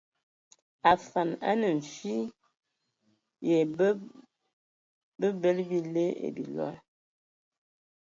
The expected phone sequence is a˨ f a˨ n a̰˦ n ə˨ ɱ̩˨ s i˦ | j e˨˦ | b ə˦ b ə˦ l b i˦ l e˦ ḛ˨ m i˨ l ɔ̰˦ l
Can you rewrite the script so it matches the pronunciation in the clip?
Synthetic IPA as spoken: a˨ f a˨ n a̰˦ n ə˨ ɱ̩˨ f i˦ | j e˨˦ | b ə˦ b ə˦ l b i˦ l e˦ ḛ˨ b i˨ l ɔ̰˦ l